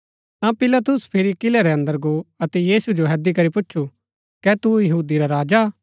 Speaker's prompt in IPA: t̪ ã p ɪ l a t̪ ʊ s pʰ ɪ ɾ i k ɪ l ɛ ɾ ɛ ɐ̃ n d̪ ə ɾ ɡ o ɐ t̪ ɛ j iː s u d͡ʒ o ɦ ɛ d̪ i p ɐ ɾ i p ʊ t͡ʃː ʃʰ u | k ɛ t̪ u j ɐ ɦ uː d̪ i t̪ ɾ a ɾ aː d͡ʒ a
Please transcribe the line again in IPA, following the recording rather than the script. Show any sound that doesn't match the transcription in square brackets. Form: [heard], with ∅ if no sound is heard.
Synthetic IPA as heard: t̪ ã p ɪ l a t̪ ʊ s pʰ ɪ ɾ i k ɪ l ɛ ɾ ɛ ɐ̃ n d̪ ə ɾ ɡ o ɐ t̪ ɛ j iː s u d͡ʒ o ɦ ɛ d̪ i [k] ɐ ɾ i p ʊ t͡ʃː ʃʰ u | k ɛ t̪ u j ɐ ɦ uː d̪ i [∅] ɾ a ɾ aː d͡ʒ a